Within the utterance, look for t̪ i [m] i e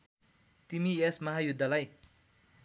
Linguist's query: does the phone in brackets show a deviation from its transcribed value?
no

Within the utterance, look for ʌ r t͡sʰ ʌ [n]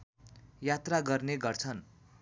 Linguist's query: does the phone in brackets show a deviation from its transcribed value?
no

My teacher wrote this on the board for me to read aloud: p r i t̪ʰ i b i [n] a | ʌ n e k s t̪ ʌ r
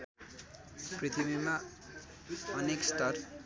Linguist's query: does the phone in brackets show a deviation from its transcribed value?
yes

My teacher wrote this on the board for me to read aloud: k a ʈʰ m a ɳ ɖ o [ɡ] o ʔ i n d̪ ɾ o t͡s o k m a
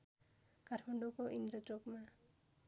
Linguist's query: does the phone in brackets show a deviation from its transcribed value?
yes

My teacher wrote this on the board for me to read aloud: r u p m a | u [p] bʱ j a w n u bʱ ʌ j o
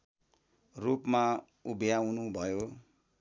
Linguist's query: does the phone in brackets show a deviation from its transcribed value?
yes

